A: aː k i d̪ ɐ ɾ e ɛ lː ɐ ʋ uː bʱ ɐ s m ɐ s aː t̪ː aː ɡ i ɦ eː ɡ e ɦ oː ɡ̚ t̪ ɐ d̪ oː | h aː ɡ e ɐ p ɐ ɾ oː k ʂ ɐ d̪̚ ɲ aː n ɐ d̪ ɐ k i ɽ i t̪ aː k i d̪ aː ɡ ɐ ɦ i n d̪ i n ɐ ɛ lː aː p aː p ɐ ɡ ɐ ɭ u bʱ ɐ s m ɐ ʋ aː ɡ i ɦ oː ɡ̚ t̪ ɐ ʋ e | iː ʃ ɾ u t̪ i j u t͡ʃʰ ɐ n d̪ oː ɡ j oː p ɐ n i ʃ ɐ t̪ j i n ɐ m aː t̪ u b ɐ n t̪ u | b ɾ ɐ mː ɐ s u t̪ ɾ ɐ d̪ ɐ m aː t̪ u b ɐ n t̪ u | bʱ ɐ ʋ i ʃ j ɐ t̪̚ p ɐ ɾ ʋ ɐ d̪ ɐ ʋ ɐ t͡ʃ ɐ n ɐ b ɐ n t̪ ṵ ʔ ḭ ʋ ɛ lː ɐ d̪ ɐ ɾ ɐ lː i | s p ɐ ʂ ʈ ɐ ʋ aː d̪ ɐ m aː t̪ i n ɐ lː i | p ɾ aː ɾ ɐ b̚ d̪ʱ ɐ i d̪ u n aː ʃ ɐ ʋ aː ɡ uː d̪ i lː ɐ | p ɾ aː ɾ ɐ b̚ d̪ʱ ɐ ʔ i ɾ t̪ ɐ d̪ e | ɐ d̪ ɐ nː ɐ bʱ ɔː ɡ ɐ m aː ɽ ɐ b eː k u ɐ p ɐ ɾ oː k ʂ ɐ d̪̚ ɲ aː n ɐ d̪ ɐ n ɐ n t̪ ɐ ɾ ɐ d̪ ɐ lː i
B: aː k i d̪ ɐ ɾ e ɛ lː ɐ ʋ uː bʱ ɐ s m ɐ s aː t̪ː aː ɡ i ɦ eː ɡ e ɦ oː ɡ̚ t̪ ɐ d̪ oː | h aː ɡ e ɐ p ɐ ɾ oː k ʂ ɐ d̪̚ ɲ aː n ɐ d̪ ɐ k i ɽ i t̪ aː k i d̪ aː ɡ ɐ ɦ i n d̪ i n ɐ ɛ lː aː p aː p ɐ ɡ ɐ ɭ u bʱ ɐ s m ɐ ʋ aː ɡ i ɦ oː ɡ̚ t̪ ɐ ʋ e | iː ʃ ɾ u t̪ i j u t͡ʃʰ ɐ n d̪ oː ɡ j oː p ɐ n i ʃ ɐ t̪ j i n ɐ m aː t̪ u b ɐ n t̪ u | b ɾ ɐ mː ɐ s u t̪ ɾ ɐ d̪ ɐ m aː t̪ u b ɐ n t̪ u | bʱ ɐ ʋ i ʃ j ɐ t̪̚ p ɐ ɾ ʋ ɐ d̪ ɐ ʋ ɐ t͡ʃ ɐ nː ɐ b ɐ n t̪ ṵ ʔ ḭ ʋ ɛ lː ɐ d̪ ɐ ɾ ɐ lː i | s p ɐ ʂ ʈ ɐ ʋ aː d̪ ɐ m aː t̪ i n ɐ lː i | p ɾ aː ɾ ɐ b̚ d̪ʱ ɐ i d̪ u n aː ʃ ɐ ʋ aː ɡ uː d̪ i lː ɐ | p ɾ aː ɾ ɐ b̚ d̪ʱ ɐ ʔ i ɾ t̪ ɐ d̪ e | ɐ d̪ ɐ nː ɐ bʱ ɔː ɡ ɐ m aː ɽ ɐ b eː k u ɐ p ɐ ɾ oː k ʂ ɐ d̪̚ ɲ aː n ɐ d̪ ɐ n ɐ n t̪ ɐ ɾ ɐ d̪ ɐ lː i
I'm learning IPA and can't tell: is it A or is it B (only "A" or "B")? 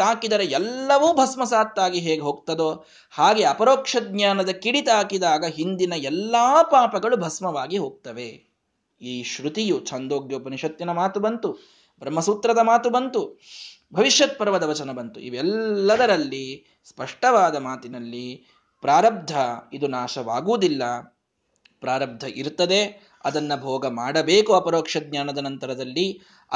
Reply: A